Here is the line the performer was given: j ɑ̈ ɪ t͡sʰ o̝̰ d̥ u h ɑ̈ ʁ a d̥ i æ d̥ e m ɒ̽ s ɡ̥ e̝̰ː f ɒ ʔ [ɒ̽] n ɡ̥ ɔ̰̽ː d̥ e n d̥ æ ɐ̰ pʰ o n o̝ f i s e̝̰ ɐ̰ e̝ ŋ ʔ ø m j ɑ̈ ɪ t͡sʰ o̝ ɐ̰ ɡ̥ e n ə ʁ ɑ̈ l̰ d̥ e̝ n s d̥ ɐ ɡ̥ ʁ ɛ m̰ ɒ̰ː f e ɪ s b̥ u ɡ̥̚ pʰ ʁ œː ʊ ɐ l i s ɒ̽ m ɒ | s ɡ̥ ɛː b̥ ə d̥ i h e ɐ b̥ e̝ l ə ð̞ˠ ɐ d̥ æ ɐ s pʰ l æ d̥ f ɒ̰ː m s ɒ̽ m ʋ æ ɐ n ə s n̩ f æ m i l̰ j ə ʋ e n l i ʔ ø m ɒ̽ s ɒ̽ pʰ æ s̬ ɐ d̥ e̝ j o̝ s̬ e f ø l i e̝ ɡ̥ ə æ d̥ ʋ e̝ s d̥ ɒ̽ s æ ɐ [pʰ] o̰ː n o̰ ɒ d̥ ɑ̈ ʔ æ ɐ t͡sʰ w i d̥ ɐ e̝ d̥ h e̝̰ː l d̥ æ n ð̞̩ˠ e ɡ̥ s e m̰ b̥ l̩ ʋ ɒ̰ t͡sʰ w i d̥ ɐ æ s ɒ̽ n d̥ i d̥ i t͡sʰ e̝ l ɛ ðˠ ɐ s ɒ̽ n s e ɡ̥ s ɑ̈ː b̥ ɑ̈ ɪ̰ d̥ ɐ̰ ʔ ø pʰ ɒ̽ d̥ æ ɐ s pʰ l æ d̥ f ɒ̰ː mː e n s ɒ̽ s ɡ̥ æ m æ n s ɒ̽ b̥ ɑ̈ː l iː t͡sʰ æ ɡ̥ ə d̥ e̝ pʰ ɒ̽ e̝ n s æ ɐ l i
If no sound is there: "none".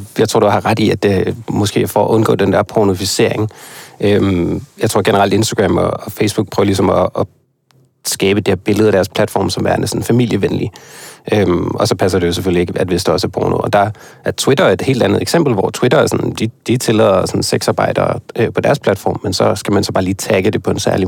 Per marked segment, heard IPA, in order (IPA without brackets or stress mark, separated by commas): ɔ̽, pʰ